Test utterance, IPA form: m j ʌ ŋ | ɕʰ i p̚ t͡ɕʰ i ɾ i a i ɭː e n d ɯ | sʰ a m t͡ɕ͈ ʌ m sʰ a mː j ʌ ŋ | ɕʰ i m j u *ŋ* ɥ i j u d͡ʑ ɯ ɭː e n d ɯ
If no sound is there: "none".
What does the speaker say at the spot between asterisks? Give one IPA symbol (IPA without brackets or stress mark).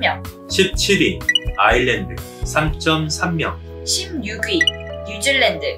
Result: ɡ